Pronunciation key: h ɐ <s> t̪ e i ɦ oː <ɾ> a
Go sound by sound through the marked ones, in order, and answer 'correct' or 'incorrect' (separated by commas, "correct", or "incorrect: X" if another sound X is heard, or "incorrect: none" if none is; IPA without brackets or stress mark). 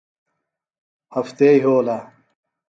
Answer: incorrect: f, incorrect: l